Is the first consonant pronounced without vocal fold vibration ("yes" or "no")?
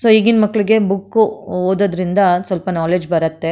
yes